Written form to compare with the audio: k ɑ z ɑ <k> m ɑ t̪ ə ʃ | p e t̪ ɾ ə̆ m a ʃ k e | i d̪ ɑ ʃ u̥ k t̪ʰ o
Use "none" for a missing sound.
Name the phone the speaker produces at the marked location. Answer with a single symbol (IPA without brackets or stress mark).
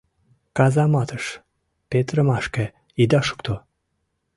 none